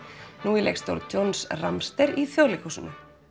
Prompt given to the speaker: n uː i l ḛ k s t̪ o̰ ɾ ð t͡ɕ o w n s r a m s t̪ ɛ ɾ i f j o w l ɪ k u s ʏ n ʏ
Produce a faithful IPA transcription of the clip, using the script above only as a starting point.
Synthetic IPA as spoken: n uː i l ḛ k s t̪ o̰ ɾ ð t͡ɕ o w n s r a m s t̪ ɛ ɾ i θ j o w l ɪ k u s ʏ n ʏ